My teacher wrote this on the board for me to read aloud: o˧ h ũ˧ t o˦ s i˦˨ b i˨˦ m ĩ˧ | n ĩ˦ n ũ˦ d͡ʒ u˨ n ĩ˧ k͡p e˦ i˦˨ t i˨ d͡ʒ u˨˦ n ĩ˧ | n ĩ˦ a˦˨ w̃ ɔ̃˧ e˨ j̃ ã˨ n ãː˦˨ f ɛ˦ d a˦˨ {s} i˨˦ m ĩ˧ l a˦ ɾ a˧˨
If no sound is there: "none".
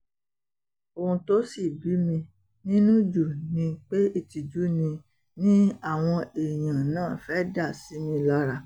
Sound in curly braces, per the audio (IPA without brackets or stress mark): s